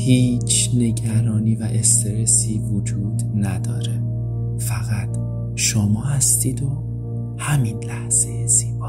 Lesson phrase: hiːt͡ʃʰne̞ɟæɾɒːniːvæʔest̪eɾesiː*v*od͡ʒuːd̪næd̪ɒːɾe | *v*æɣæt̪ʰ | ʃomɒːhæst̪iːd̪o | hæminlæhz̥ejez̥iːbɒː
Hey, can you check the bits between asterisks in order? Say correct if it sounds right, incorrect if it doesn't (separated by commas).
correct, incorrect